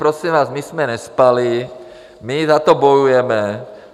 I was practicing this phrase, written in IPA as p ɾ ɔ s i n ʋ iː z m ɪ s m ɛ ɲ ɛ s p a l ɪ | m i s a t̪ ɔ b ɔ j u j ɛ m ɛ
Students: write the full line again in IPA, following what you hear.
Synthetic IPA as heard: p ɾ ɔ s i m ʋ aː z m i s m ɛ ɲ ɛ s p a l i | m i z a t̪ ɔ b ɔ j u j ɛ m ɛ